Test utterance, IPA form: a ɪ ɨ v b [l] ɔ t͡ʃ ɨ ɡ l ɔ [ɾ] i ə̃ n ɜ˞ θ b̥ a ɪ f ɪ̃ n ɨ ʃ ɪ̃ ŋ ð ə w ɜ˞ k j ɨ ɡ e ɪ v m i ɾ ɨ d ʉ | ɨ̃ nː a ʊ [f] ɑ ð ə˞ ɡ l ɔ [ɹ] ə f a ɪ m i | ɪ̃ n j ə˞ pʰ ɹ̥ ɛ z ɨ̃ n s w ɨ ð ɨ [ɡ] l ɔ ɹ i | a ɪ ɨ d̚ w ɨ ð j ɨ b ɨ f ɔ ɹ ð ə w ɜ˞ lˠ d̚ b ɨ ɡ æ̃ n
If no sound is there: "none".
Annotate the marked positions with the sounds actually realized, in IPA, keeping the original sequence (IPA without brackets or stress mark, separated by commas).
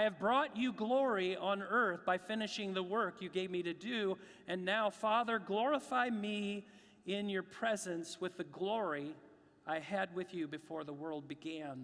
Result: ɹ, ɹ, f, ɹ, ɡ